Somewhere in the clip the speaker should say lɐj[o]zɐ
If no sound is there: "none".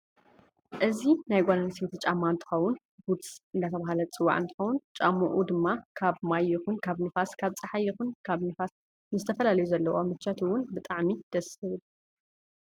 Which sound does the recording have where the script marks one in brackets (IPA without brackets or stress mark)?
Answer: u